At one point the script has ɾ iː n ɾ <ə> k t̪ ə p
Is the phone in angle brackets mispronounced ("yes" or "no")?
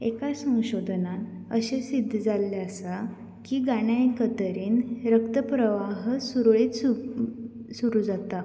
no